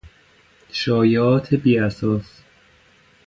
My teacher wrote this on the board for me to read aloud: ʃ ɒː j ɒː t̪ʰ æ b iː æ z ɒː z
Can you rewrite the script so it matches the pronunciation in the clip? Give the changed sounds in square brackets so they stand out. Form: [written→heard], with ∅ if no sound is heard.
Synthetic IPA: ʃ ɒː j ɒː t̪ʰ [æ→e] b iː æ [z→s] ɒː [z→s]